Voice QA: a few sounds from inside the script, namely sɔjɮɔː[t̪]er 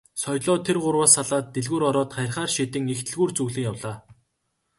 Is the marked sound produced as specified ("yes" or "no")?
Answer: no